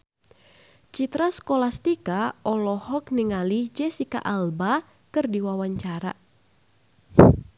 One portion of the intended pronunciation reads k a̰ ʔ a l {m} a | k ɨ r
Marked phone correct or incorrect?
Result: incorrect